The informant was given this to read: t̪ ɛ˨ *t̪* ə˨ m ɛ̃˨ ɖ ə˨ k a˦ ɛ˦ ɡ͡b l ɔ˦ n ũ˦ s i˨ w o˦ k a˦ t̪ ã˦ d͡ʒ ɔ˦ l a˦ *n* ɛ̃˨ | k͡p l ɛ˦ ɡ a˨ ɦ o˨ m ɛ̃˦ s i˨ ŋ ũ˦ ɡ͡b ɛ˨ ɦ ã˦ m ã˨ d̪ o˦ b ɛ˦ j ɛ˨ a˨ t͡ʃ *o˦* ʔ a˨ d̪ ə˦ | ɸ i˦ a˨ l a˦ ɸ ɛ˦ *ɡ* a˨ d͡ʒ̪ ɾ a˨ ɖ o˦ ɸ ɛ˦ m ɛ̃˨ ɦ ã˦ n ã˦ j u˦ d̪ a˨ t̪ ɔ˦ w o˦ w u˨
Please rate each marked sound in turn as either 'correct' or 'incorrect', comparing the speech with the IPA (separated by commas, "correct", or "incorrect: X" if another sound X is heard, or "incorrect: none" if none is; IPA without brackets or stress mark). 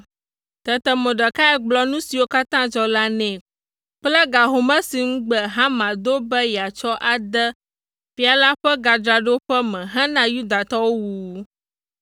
correct, correct, incorrect: ɔ˦, correct